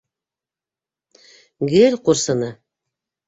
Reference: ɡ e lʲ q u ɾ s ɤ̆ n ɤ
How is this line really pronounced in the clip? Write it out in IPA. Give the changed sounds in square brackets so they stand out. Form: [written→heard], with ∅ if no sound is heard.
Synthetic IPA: ɡ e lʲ q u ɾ s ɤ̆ n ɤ

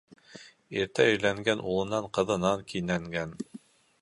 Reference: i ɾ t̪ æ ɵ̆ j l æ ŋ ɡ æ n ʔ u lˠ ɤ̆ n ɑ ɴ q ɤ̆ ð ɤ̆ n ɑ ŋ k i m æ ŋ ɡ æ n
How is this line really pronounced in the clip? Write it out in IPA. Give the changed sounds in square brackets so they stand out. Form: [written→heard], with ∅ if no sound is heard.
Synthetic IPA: i ɾ t̪ æ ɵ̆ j l æ ŋ ɡ æ n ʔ u lˠ ɤ̆ n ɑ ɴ q ɤ̆ ð ɤ̆ n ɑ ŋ k i [m→n] æ ŋ ɡ æ n

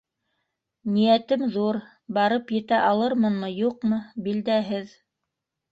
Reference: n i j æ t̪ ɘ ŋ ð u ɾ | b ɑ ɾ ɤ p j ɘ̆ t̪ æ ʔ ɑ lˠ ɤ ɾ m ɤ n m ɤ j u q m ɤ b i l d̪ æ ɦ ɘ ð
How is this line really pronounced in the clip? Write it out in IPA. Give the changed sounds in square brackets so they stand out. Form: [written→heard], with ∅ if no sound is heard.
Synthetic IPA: n i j æ t̪ ɘ [ŋ→m] ð u ɾ | b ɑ ɾ ɤ p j ɘ̆ t̪ æ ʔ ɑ lˠ ɤ ɾ m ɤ n m ɤ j u q m ɤ b i l d̪ æ ɦ ɘ ð

